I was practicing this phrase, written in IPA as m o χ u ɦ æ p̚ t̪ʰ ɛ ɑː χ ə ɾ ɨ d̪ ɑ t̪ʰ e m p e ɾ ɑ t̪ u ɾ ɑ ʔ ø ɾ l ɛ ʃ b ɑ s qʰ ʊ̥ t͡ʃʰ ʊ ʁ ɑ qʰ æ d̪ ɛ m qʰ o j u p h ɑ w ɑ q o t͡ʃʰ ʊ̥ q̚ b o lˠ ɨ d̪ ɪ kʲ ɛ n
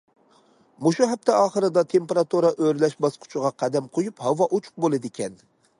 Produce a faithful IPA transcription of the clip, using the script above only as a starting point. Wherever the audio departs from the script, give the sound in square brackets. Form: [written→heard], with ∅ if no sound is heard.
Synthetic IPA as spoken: m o [χ→ʃ] u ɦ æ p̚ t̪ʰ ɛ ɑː χ ə ɾ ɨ d̪ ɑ t̪ʰ e m p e ɾ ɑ t̪ u ɾ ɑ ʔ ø ɾ l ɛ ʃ b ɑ s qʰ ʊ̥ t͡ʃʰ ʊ ʁ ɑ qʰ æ d̪ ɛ m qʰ o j u p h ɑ w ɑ [q→ʔ] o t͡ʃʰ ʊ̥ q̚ b o lˠ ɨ d̪ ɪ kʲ ɛ n